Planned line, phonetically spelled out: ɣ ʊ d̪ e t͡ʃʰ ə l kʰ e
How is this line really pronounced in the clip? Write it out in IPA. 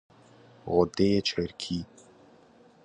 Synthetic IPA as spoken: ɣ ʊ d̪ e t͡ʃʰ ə ɾ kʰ i

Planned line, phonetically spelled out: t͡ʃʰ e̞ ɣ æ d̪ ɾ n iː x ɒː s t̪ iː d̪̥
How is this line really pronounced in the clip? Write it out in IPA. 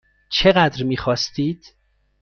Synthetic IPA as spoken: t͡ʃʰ e̞ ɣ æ d̪ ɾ m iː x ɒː s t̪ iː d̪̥

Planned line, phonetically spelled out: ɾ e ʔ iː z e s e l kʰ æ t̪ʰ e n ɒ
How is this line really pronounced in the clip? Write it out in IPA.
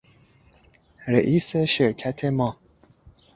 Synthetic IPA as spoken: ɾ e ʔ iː s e ʃ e ɾ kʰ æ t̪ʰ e m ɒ

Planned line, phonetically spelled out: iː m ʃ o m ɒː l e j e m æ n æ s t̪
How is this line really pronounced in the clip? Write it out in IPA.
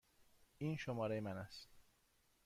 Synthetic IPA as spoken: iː n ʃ o m ɒː ɾ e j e m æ n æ s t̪

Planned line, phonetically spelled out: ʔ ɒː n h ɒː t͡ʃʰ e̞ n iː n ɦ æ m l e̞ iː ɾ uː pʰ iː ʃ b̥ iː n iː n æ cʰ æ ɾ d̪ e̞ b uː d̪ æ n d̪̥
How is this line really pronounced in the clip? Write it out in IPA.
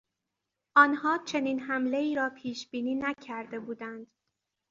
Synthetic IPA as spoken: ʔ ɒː n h ɒː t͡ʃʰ e̞ n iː n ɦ æ m l e̞ iː ɾ ɒː pʰ iː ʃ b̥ iː n iː n æ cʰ æ ɾ d̪ e̞ b uː d̪ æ n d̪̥

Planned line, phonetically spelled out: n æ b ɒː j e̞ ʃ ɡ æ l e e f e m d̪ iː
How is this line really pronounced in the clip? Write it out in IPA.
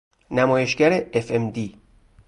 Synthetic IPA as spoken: n æ m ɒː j e̞ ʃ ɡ æ ɾ e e f e m d̪ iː

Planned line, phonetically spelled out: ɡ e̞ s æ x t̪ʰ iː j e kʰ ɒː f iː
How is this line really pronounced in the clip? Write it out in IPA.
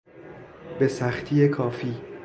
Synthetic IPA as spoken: b e̞ s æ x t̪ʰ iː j e kʰ ɒː f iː

